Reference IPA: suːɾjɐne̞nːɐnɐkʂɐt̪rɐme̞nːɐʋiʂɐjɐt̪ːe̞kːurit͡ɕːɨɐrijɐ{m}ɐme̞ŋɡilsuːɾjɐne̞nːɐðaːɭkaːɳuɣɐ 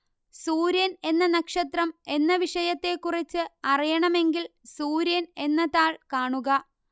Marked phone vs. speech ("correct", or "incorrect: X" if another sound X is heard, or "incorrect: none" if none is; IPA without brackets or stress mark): incorrect: ɳ